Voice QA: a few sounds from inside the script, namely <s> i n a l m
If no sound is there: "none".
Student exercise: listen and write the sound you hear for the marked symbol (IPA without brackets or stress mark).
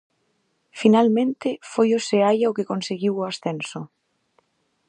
f